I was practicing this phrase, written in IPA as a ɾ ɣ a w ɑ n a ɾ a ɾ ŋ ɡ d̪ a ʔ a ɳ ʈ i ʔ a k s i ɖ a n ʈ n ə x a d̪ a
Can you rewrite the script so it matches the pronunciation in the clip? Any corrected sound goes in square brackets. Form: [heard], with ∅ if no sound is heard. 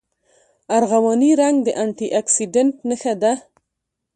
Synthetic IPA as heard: a ɾ ɣ a w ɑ n [i] ɾ a [∅] ŋ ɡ d̪ [ə] ʔ a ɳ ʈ i ʔ a k s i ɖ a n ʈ n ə x a d̪ a